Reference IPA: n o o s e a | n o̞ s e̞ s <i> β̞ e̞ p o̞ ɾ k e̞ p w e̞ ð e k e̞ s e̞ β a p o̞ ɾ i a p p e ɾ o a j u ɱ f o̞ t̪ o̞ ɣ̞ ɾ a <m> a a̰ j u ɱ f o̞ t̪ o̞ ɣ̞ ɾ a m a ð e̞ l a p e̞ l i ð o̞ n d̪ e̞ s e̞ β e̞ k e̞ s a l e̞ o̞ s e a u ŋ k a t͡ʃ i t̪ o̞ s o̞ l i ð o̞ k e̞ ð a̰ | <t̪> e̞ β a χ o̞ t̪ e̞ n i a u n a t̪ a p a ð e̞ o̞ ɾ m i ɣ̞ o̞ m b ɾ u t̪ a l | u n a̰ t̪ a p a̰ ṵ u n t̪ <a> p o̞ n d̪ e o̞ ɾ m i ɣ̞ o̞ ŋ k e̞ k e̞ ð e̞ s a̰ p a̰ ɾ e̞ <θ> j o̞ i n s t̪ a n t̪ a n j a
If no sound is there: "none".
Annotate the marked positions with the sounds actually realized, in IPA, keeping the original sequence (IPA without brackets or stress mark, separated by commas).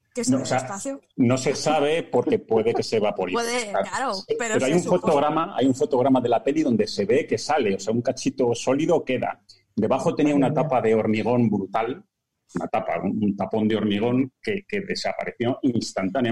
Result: a, m, d̪, a, θ